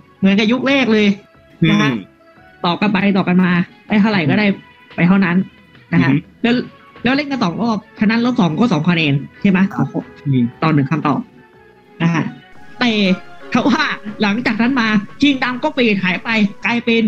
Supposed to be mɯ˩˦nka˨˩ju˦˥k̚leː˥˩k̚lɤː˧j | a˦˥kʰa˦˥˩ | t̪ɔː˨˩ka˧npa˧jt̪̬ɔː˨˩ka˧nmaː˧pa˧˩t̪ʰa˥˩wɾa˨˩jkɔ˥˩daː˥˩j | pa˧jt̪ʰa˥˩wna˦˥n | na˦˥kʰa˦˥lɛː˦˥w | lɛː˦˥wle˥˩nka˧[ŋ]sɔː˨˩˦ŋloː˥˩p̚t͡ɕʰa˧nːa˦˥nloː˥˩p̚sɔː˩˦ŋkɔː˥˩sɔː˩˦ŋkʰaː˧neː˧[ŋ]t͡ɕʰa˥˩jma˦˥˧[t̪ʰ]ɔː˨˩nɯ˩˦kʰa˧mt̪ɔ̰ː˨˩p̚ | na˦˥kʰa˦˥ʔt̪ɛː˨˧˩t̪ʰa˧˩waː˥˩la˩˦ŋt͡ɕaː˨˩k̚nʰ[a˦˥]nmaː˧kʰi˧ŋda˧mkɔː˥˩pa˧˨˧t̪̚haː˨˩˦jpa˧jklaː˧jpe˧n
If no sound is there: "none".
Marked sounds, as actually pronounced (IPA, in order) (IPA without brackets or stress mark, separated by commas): n, n, t̪, a˦˥